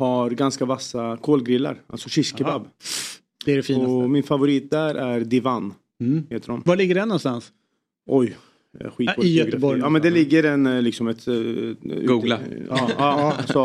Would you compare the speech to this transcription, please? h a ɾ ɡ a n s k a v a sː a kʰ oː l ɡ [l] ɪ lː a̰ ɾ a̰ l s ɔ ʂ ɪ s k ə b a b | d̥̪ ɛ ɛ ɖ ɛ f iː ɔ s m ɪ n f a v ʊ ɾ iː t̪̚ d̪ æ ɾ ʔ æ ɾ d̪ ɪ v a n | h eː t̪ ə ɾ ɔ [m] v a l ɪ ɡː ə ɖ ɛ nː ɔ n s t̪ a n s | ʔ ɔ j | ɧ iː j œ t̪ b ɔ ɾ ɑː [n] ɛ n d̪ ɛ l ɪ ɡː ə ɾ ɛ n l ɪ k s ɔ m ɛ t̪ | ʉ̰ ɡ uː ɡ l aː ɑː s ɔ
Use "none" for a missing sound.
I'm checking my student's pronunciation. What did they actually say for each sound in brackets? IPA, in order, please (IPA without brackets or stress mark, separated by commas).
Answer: ɾ, m, m